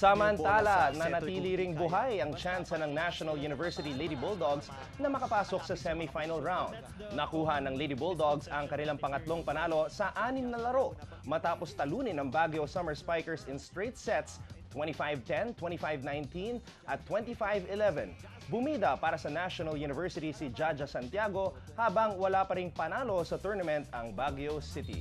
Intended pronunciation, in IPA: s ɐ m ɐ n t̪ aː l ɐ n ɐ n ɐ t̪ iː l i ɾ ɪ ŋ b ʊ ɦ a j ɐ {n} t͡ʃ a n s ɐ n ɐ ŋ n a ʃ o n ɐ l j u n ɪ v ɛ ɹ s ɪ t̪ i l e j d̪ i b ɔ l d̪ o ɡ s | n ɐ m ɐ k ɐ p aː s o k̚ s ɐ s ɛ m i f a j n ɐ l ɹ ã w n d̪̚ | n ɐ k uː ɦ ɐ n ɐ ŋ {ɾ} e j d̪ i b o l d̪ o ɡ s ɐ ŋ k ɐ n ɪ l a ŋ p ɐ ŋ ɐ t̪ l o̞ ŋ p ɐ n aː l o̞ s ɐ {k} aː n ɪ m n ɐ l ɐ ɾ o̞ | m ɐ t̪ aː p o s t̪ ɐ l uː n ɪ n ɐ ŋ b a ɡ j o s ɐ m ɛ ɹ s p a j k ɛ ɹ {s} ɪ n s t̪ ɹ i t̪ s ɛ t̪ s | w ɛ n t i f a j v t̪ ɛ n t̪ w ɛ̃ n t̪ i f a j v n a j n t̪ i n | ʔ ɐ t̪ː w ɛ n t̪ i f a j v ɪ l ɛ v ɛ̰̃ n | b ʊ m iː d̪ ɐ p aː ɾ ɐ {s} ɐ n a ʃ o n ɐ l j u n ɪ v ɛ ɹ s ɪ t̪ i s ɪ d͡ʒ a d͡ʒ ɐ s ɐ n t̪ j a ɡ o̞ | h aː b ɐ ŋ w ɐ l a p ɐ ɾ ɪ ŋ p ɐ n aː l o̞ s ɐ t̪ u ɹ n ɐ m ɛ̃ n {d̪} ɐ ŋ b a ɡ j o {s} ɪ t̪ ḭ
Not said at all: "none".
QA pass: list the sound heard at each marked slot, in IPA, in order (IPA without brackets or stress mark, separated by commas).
ŋ, l, ʔ, s, s, t̪, s